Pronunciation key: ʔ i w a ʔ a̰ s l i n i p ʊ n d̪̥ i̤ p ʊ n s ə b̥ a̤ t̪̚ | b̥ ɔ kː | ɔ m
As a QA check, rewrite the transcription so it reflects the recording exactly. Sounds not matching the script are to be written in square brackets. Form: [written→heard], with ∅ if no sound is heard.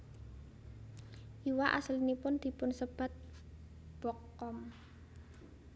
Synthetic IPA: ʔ i w a ʔ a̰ s l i n i p ʊ n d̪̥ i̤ p ʊ n s ə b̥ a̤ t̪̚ | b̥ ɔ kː | ɔ m